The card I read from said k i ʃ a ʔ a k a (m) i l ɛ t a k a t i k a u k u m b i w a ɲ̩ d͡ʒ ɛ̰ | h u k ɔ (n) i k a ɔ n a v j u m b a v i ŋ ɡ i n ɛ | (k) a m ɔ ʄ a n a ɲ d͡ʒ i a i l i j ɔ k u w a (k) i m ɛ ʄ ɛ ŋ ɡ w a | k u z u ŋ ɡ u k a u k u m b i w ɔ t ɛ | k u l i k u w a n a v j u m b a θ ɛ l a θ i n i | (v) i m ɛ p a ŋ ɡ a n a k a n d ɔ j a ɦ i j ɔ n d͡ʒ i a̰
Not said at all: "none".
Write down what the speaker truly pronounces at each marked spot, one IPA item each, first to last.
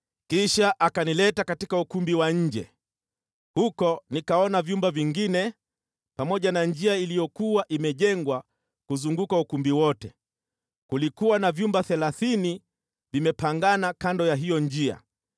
n, n, p, ʔ, v

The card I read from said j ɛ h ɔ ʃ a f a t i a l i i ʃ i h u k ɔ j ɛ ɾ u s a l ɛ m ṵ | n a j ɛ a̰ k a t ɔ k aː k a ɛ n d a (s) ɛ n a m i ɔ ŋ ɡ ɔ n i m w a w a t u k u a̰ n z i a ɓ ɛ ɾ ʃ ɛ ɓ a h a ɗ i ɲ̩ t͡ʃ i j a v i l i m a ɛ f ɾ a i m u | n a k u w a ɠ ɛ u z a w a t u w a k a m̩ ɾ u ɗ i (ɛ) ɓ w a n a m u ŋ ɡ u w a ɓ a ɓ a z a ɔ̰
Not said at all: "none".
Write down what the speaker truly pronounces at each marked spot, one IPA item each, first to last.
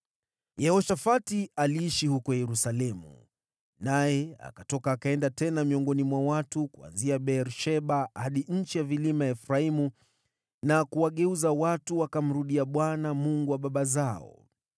t, a

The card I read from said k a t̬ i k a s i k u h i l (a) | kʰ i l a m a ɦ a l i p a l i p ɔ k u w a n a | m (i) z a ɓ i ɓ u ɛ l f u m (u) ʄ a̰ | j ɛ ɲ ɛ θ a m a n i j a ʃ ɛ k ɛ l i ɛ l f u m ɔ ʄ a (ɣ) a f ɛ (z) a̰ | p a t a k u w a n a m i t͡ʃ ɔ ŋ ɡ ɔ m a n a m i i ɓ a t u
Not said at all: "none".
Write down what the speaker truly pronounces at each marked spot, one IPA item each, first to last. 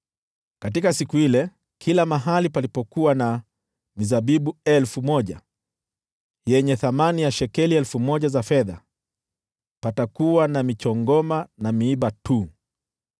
ɛ, i, ɔ, z, ð

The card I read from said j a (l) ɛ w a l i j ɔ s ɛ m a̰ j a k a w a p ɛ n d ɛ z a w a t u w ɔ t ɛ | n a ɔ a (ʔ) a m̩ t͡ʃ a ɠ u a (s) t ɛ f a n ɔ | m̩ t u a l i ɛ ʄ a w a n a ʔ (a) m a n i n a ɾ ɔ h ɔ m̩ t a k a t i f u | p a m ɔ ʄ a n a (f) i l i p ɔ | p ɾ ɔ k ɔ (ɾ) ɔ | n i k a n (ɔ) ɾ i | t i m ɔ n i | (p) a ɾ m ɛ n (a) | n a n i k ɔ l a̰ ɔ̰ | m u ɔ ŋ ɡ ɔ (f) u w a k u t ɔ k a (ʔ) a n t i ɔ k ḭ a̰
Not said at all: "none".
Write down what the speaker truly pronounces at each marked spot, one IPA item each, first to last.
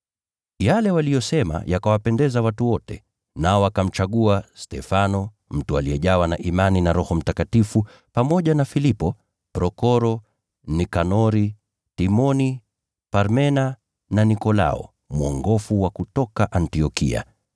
l, k, s, i, f, ɾ, ɔ, p, a, f, ʔ

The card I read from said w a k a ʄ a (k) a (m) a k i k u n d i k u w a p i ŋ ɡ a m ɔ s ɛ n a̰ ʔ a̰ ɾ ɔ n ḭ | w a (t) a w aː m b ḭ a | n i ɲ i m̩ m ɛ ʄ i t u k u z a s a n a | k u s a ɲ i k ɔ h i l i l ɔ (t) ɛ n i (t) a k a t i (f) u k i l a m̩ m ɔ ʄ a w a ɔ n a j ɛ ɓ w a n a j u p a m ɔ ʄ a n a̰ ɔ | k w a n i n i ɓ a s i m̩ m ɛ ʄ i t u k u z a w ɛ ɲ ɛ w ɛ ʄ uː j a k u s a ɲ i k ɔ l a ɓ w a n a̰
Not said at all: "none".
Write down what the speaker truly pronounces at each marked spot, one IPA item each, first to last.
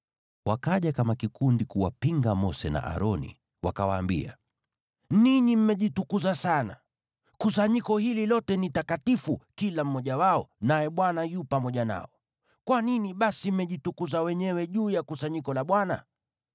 k, m, k, t, t, f

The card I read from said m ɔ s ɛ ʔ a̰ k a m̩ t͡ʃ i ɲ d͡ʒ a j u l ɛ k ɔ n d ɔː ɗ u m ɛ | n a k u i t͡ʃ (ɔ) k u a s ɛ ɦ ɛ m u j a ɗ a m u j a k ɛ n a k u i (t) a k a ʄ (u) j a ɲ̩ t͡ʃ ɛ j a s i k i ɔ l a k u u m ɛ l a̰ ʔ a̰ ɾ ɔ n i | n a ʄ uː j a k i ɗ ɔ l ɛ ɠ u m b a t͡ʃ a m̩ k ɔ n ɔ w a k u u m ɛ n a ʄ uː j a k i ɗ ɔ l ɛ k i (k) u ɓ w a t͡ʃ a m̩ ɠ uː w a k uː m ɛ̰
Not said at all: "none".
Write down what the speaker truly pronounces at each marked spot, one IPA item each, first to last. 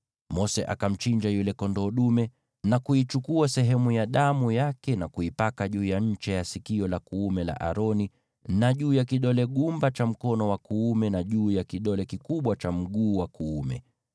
u, p, uː, k

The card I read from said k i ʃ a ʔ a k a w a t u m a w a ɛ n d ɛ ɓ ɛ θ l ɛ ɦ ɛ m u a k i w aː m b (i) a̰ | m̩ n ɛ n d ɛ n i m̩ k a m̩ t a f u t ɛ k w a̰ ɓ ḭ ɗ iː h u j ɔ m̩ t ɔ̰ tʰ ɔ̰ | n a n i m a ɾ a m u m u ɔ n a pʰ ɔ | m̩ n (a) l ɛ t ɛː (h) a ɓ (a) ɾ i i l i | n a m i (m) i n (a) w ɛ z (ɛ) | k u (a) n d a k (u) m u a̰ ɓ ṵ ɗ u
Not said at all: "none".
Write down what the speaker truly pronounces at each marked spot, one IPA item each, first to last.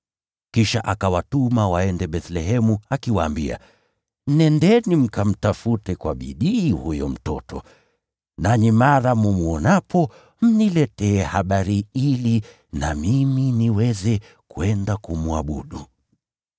i, i, h, a, m, i, ɛ, ɛ, u

